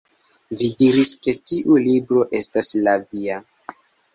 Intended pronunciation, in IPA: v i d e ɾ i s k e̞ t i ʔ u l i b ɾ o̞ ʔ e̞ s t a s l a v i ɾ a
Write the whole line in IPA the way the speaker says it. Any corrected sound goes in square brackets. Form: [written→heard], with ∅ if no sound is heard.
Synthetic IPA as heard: v i d [e→i] ɾ i s k e̞ t i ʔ u l i b ɾ o̞ ʔ e̞ s t a s l a v i [ɾ→∅] a